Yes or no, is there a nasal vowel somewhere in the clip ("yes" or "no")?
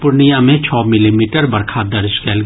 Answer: yes